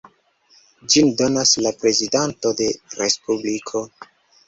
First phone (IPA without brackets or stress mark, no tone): d͡ʒ